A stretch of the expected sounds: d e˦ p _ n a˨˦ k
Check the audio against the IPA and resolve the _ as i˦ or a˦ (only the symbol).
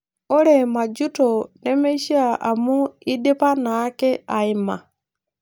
a˦